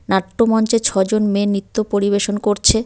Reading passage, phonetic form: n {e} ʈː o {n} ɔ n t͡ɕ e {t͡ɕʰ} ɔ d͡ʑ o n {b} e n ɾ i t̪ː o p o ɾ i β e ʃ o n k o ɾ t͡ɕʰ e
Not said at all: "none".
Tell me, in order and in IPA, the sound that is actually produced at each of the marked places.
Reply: a, m, t͡ɕʰ, m

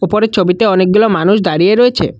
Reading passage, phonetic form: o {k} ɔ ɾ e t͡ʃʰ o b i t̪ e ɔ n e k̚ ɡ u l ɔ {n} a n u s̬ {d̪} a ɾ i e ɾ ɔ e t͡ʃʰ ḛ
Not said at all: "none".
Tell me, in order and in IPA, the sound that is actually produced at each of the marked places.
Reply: p, m, d̪

